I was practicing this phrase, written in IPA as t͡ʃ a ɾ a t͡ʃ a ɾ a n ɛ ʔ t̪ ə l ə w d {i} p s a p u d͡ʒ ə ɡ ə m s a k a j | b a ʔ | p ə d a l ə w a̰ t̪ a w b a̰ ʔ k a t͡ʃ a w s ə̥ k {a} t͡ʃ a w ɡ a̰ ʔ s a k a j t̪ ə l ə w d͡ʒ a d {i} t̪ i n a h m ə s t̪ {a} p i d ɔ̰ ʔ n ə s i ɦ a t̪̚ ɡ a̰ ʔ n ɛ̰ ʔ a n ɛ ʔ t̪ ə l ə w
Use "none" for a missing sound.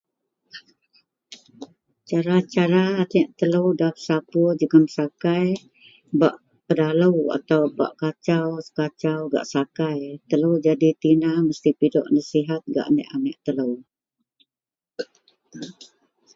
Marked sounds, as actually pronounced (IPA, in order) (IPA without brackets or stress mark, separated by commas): a, a, i, i